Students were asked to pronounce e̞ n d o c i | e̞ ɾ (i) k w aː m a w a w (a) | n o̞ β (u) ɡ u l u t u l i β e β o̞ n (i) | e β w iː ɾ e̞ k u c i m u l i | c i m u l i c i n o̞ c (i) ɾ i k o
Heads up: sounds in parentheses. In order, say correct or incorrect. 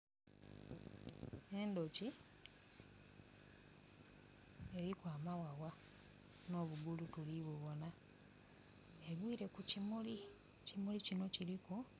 correct, correct, correct, incorrect: a, correct

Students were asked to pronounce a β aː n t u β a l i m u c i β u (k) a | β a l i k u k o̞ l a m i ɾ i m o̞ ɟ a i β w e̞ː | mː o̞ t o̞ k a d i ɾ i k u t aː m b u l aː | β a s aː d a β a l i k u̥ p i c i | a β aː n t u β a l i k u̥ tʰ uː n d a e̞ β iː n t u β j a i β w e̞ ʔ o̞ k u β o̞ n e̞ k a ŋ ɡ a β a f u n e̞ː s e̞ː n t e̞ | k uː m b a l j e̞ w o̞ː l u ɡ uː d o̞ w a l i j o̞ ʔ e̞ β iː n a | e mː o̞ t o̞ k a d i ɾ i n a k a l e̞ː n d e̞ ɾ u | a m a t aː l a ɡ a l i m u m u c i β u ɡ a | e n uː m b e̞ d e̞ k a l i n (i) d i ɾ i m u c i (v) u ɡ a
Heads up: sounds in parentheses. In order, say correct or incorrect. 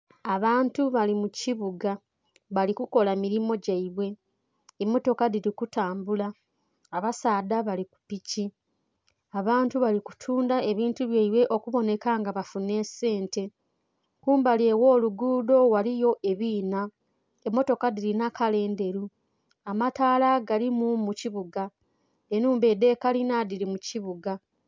incorrect: ɡ, incorrect: a, incorrect: β

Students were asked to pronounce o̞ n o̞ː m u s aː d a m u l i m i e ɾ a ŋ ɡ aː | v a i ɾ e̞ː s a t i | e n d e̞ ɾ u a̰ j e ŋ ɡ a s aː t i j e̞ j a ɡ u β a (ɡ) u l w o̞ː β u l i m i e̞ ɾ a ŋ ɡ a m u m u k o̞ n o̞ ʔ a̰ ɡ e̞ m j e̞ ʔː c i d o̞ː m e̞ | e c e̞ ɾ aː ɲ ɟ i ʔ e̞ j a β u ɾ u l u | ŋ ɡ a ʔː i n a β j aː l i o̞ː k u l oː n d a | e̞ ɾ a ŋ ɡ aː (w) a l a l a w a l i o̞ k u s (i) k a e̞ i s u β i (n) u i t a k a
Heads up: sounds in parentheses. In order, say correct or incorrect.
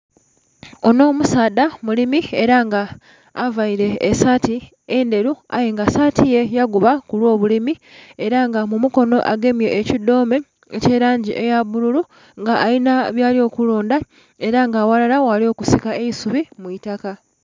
incorrect: k, correct, correct, incorrect: m

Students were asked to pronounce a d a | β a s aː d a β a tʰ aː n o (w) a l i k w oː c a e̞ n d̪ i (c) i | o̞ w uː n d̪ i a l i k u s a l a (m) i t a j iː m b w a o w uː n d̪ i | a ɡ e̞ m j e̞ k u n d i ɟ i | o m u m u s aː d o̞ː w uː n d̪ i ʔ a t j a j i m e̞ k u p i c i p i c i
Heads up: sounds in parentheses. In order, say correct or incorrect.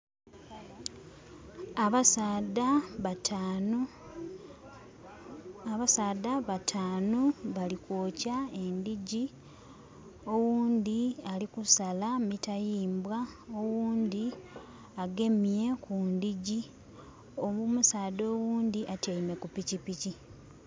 incorrect: β, incorrect: ɟ, correct

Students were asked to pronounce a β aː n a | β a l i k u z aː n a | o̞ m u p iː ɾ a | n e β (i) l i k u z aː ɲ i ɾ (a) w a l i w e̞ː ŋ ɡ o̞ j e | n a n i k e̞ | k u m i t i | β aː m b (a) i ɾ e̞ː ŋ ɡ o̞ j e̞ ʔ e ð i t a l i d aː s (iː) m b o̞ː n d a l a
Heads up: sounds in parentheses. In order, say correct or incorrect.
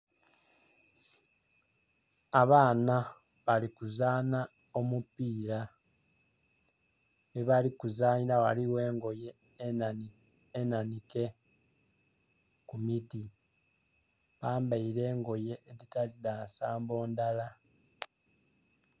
incorrect: a, correct, correct, incorrect: aː

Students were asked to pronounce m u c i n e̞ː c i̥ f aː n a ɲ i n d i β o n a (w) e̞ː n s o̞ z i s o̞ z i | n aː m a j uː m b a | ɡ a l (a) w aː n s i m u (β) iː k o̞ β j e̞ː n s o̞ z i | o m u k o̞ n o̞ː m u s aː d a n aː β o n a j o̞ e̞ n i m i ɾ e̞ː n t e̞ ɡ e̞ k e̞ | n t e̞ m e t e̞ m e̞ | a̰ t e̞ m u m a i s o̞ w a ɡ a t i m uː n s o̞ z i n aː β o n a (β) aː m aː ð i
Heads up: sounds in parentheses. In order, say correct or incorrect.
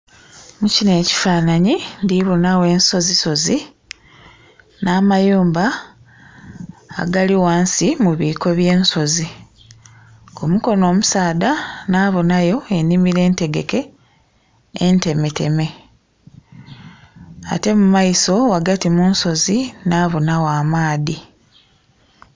correct, incorrect: i, correct, incorrect: w

